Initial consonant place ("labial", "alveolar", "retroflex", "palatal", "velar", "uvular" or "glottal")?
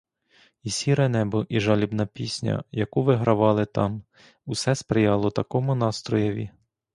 alveolar